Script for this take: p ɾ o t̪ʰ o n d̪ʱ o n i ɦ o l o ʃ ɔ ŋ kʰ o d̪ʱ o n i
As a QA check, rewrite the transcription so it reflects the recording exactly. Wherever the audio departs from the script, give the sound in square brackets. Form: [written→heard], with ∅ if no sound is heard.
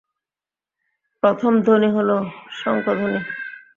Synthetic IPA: p ɾ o t̪ʰ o [n→m] d̪ʱ o n i ɦ o l o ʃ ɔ ŋ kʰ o d̪ʱ o n i